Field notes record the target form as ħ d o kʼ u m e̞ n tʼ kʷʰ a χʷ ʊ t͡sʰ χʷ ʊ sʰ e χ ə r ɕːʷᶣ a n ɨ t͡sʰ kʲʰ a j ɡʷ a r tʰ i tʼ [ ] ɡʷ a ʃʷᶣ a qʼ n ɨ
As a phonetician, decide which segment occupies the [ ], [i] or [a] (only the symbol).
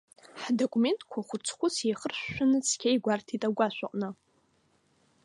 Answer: a